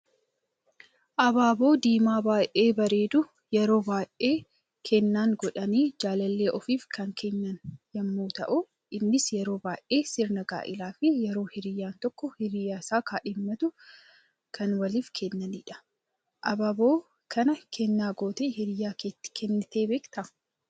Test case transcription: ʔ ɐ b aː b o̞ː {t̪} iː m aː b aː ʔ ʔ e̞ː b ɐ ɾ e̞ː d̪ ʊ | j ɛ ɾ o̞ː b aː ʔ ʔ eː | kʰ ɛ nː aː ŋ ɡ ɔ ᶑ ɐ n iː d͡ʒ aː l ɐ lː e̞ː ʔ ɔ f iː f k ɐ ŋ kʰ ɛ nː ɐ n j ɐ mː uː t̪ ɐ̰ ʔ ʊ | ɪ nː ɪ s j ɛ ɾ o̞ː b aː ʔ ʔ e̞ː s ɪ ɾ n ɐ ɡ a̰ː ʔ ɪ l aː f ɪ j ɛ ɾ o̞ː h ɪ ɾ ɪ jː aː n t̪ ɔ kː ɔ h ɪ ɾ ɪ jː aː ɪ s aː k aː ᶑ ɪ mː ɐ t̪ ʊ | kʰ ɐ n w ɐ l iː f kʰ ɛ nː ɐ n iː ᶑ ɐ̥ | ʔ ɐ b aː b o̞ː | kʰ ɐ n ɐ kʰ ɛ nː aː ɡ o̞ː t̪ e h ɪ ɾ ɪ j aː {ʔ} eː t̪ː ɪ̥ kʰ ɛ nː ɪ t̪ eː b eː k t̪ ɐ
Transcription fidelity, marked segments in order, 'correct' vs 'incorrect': incorrect: d̪, incorrect: k

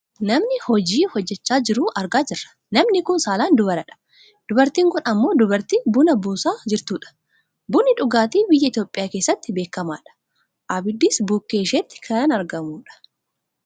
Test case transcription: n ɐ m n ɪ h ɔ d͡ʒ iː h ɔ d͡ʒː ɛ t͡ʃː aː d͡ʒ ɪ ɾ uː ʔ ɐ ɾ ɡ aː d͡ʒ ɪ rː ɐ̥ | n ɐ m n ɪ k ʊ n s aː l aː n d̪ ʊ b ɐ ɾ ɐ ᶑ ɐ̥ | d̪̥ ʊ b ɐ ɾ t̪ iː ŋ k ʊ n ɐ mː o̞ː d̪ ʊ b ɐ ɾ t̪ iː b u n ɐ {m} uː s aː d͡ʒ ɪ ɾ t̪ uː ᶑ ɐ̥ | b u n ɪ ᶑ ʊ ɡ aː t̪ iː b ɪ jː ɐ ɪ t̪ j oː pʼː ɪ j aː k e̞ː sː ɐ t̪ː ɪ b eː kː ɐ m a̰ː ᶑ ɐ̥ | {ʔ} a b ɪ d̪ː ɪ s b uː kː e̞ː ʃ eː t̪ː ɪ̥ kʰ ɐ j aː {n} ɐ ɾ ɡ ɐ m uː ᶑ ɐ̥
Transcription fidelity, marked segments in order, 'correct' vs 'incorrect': incorrect: b, correct, correct

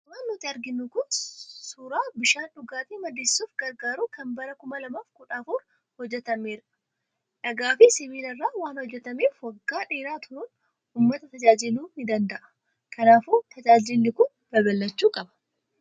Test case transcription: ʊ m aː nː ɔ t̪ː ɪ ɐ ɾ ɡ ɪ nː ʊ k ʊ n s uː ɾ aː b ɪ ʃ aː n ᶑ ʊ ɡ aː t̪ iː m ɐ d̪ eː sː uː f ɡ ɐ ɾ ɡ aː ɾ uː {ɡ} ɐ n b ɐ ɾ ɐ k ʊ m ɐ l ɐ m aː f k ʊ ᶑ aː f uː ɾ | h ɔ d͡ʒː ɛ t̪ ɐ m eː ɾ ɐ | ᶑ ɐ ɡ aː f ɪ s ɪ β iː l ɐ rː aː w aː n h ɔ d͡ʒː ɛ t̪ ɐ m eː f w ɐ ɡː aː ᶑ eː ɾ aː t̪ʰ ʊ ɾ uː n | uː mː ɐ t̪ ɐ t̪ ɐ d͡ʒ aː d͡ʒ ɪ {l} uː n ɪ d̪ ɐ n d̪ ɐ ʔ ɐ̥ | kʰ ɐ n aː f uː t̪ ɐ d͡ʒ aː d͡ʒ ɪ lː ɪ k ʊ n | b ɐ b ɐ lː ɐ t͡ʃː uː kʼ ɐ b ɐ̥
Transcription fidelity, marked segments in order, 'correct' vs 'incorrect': incorrect: k, correct

